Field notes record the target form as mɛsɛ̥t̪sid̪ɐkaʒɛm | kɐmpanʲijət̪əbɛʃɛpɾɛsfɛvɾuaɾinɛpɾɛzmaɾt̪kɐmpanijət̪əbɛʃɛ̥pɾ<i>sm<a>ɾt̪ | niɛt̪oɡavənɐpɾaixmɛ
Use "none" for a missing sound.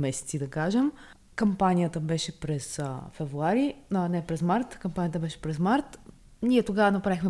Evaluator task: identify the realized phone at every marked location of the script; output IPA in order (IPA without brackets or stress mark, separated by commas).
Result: ɛ, a